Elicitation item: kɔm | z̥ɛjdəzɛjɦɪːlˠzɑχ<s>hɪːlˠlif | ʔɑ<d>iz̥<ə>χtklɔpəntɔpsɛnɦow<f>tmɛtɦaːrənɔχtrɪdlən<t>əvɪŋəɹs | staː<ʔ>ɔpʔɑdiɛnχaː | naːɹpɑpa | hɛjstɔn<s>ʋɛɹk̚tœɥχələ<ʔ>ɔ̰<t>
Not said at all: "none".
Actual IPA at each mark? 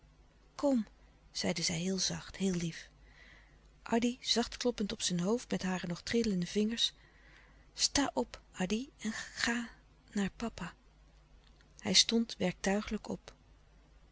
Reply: t, d, ɑ, f, d, ʔ, t, k, p

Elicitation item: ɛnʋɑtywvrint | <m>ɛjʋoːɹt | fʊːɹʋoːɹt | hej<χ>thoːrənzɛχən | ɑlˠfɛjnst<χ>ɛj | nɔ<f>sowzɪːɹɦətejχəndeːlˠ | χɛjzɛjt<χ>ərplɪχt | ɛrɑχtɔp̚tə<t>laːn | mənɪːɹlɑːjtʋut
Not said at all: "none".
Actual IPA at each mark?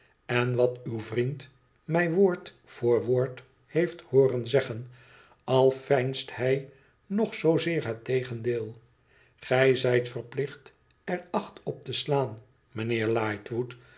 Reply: m, f, h, χ, f, s

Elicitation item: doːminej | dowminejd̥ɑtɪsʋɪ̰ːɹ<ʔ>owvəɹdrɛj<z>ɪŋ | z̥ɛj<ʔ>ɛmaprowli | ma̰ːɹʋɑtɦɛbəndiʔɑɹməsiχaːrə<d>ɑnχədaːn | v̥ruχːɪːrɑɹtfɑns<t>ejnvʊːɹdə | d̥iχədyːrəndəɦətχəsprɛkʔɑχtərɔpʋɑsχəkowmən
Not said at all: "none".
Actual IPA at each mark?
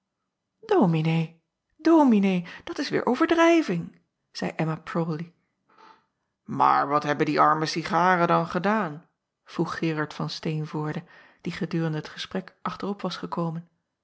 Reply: ʔ, v, ʔ, d, t

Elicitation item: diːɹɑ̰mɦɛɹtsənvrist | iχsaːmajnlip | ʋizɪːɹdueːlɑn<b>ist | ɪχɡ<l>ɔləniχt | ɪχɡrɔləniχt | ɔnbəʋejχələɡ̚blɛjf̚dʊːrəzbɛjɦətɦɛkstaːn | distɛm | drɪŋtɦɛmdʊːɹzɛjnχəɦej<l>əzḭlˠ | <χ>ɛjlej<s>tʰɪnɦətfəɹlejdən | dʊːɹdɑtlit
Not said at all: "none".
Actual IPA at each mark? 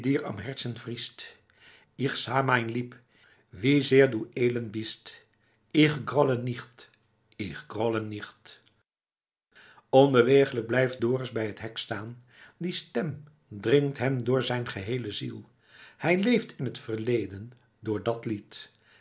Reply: b, r, l, h, f

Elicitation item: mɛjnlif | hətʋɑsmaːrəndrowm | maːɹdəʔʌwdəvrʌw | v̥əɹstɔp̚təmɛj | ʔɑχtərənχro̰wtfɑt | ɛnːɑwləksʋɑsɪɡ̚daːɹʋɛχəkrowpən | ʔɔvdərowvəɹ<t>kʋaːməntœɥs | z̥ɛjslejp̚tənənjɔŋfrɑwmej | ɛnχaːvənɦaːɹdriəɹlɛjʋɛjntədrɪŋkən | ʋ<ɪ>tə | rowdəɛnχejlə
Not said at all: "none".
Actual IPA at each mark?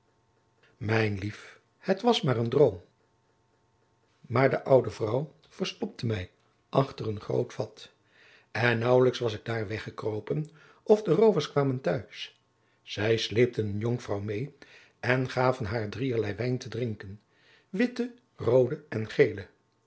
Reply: s, ɪ

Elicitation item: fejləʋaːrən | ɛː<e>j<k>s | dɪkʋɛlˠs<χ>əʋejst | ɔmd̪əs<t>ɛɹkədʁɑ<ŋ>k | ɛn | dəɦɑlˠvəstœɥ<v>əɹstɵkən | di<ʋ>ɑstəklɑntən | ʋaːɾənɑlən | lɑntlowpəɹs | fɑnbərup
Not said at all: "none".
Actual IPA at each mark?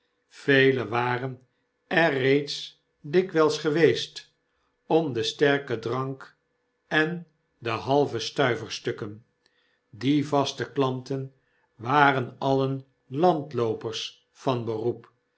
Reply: e, t, χ, t, ŋ, v, v

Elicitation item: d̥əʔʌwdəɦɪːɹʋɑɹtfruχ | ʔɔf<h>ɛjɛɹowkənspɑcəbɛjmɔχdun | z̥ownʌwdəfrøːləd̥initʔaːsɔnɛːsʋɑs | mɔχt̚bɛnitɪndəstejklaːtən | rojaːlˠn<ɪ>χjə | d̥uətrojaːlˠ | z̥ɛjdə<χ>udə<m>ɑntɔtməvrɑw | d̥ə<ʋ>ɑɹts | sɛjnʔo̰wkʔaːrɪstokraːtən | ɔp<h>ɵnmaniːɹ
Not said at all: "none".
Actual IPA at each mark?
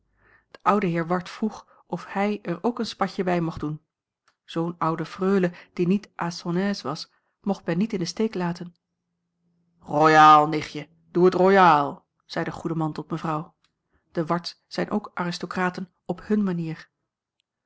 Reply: h, ɪ, χ, m, ʋ, h

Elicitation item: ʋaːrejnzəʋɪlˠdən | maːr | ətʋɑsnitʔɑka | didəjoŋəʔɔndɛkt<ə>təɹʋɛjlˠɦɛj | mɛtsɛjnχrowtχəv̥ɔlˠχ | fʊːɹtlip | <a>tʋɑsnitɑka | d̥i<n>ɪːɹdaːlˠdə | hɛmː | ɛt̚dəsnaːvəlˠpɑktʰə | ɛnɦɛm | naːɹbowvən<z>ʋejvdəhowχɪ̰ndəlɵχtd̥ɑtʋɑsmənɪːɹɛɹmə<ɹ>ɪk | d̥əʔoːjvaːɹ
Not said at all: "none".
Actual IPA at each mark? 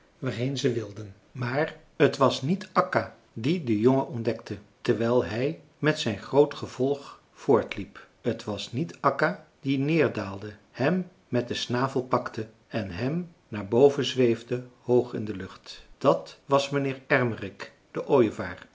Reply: ə, ə, n, z, r

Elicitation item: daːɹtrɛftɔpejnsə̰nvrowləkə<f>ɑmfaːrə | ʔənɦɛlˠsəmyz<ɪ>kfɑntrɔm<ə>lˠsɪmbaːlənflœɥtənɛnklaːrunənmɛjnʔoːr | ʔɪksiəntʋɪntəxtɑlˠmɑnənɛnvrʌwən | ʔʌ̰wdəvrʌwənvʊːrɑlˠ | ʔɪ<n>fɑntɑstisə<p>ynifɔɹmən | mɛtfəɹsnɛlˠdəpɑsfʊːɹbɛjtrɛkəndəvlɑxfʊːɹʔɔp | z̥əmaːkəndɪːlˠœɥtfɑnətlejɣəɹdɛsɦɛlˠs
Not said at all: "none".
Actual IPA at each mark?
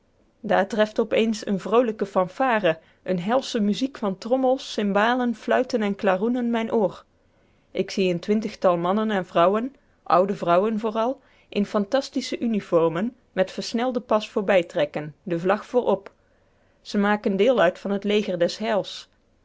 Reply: f, i, ə, n, ʔ

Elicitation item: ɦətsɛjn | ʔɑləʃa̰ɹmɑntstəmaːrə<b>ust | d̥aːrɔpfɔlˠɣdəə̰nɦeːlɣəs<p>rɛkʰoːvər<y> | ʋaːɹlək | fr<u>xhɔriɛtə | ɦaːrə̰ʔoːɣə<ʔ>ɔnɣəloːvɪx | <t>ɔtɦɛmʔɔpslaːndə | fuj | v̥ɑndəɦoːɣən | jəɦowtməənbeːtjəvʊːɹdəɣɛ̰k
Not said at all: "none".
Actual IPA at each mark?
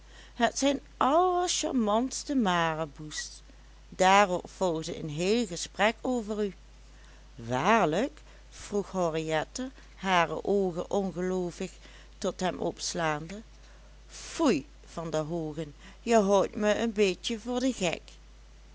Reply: b, p, y, u, ʔ, t

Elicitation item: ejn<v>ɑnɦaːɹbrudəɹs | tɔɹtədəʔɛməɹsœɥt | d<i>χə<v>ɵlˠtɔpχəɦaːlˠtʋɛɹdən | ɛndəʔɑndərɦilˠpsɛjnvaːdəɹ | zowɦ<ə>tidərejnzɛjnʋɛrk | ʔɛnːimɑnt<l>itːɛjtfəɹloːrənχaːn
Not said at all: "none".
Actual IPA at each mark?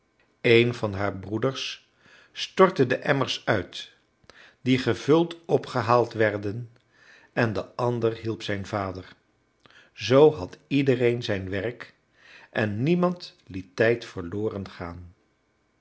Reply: v, i, v, ɑ, l

